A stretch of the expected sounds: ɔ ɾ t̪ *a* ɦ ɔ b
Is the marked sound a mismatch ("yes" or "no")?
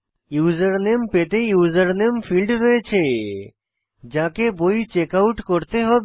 yes